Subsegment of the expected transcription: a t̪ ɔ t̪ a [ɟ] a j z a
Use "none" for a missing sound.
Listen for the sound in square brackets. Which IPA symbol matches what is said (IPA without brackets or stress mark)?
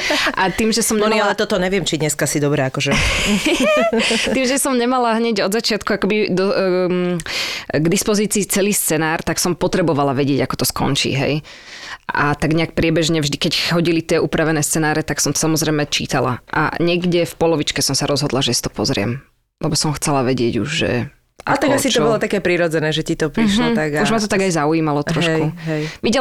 ɡ